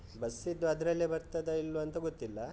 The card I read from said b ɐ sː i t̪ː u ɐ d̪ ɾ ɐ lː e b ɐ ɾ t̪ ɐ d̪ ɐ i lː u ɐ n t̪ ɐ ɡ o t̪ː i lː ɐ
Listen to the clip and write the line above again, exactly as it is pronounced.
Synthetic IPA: b ɐ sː i d̪ː u ɐ d̪ ɾ ɐ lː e b ɐ ɾ t̪ ɐ d̪ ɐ i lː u ɐ n t̪ ɐ ɡ o t̪ː i lː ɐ